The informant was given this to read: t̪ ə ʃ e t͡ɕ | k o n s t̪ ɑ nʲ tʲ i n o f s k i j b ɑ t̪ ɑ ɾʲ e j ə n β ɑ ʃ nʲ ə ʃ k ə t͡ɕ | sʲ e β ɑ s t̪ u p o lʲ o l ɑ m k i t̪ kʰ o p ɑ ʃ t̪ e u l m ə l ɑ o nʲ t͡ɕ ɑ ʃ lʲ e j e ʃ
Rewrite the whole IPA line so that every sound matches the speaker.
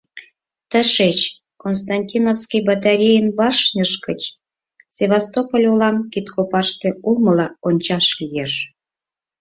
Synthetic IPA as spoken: t̪ ə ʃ e t͡ɕ | k o n s t̪ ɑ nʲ tʲ i n o f s k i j b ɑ t̪ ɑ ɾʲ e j ə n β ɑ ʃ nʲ ə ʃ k ə t͡ɕ | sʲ e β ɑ s t̪ o p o lʲ o l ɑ m k i t̪ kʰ o p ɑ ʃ t̪ e u l m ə l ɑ o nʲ t͡ɕ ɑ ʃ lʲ i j e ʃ